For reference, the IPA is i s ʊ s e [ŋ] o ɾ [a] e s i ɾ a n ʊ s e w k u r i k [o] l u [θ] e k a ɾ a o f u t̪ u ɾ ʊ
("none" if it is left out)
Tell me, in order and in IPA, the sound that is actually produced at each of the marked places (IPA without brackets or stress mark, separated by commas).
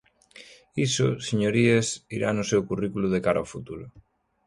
ɲ, i, u, ð